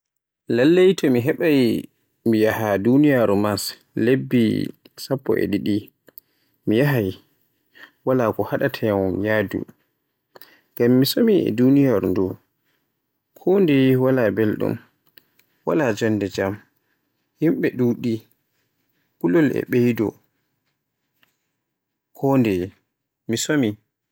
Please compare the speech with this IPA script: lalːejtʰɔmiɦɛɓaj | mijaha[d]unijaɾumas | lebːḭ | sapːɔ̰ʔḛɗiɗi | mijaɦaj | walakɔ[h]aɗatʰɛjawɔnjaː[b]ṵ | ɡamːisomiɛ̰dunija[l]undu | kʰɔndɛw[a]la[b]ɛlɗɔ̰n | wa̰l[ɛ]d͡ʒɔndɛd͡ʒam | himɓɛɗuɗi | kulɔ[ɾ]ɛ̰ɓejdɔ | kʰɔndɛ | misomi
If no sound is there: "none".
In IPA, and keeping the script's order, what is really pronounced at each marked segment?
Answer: d, h, d, ɾ, a, b, a, l

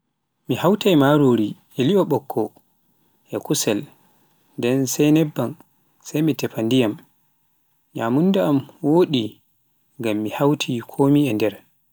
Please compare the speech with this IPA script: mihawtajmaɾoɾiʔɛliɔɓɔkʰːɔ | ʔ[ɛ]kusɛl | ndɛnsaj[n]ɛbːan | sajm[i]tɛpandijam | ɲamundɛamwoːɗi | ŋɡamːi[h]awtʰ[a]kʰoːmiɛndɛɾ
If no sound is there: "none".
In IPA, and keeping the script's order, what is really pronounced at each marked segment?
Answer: ɛ, n, i, h, i

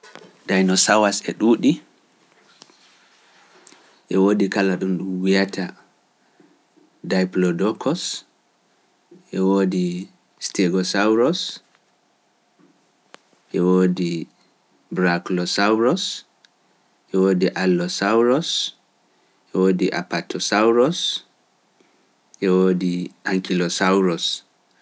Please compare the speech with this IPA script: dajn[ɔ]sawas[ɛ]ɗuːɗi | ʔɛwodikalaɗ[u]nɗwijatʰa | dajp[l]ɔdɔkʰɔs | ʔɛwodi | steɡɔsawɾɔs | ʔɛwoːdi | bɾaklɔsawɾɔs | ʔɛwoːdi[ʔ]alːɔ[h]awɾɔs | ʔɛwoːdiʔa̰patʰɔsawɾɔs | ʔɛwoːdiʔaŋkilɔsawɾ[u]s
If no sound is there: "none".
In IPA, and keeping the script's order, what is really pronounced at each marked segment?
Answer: ɔ, ɛ, u, l, ʔ, s, ɔ

